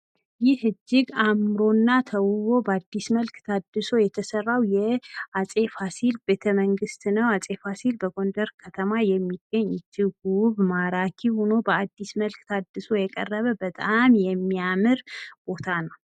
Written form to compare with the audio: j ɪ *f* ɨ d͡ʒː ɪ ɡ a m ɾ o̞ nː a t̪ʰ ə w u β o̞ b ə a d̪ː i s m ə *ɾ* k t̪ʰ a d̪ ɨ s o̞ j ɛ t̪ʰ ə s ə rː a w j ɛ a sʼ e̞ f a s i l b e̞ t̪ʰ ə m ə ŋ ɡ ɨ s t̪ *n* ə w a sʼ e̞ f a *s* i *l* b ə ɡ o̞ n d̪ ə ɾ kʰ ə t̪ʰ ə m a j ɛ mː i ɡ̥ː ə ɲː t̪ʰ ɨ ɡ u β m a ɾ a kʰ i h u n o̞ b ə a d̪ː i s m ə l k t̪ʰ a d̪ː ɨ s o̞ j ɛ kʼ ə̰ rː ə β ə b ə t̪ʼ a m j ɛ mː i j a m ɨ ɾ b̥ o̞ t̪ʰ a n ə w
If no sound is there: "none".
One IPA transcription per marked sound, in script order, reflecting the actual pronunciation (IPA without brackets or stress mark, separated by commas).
h, l, n, s, l